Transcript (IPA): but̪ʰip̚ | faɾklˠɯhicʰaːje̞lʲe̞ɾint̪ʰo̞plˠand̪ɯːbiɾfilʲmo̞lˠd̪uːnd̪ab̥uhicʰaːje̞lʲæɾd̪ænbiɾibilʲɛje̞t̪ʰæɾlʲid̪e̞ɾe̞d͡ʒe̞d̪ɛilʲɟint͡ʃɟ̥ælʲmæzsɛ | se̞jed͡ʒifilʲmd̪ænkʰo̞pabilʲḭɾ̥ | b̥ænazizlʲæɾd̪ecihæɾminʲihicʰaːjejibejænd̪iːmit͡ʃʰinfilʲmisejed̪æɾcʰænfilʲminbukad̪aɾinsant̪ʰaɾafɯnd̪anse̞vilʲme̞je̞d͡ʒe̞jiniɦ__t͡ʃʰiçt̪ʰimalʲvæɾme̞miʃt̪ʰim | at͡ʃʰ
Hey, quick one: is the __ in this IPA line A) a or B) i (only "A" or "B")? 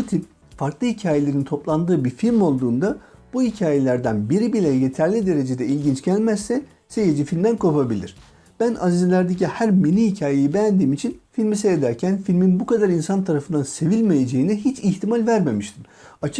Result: B